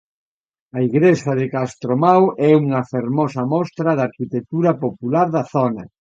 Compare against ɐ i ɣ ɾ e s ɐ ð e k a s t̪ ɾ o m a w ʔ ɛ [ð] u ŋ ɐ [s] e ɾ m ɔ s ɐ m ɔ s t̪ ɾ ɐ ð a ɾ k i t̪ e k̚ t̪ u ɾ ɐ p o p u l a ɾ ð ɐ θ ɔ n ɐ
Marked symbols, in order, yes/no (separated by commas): no, no